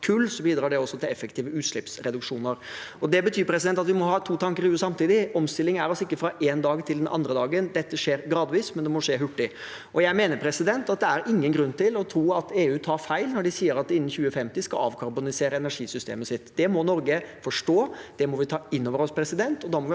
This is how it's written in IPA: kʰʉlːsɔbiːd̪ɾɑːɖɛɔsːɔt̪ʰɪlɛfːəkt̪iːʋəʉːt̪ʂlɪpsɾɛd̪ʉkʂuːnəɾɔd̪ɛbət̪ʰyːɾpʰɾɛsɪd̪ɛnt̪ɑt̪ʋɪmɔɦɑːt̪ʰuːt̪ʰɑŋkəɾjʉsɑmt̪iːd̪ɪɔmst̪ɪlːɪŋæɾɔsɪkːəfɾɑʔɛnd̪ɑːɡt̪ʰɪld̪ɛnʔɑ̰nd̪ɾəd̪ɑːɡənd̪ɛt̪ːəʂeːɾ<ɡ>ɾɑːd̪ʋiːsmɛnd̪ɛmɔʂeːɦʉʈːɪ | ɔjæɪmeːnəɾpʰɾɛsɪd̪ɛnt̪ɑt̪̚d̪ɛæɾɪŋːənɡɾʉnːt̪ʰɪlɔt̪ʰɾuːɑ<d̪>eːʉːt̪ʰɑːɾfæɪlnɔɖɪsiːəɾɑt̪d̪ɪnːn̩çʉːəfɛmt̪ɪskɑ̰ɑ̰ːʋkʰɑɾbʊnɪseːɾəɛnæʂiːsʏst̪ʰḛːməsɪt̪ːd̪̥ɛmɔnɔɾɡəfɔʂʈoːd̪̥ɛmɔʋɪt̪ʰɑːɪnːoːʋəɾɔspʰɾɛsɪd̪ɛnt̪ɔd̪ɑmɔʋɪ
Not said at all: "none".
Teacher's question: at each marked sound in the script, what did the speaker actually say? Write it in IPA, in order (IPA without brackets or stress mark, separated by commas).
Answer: ɡ, t̪